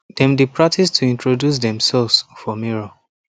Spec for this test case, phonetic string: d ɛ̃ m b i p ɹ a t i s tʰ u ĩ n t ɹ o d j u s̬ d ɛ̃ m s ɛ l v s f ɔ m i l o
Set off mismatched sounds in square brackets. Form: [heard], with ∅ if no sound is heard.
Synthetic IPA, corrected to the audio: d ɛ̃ m [d] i p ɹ a t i s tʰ u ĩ n t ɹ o d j u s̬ d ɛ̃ m s ɛ l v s f ɔ m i [ɹ] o